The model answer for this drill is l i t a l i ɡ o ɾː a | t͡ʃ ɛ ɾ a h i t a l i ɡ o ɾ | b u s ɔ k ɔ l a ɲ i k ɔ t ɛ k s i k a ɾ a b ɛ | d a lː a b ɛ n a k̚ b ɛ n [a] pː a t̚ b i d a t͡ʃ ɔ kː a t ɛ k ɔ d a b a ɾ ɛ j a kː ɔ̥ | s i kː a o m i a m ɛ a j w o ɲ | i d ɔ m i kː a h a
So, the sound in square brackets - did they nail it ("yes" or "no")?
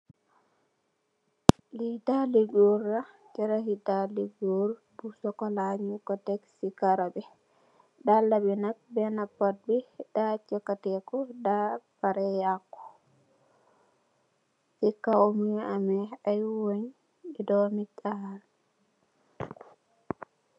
yes